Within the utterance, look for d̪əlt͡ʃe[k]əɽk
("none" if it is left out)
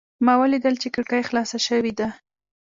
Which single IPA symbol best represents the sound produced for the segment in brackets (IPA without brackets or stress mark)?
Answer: k